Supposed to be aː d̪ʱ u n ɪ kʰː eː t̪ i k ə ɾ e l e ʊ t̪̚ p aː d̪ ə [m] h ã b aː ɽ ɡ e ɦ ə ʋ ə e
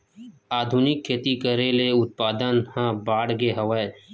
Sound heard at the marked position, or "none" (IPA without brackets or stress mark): n